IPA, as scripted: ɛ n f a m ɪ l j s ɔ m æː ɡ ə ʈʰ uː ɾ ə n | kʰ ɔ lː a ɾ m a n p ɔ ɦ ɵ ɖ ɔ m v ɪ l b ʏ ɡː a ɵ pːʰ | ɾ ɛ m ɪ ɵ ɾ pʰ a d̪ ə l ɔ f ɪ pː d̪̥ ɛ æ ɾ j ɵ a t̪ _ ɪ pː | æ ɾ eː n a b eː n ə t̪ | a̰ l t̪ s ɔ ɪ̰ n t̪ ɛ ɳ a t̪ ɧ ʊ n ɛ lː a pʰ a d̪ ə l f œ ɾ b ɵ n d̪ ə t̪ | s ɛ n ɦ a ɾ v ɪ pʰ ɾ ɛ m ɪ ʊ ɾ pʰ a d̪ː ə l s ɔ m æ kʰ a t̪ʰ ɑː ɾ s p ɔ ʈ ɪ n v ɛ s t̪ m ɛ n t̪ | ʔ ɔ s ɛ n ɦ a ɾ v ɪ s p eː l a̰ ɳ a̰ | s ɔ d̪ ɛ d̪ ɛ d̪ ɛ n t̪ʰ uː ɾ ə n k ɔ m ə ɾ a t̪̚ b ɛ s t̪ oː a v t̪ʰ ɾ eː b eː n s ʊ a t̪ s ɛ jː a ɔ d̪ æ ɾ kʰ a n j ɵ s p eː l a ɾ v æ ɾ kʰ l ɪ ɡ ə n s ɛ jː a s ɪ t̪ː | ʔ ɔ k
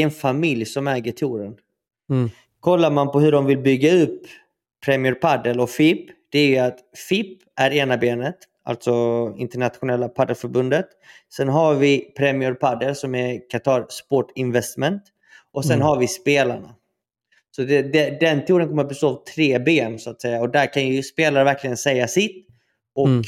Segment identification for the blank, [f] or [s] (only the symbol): f